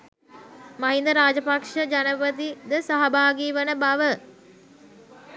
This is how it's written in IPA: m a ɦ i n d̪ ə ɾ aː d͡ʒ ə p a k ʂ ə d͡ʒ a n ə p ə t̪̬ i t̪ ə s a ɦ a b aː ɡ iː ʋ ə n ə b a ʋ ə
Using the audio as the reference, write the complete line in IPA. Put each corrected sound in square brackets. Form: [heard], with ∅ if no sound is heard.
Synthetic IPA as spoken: m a ɦ i n d̪ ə ɾ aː d͡ʒ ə p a k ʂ ə d͡ʒ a n ə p ə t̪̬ i [d̪] ə s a ɦ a b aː ɡ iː ʋ ə n ə b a ʋ ə